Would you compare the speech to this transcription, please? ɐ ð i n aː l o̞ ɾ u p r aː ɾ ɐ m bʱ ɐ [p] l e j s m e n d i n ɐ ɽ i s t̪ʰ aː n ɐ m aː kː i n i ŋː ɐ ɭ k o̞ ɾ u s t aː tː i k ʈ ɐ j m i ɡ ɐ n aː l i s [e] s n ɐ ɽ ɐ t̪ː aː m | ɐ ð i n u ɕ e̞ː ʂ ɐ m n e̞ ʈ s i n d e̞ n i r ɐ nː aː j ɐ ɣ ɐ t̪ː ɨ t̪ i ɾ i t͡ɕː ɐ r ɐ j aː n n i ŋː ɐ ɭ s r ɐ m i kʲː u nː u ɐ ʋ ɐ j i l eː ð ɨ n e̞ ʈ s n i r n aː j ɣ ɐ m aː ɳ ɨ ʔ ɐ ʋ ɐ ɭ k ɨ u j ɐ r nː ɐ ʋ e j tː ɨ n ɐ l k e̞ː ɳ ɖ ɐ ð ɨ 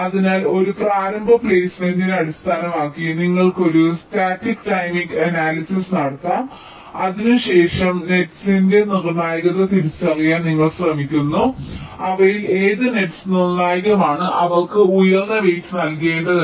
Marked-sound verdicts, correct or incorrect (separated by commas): correct, incorrect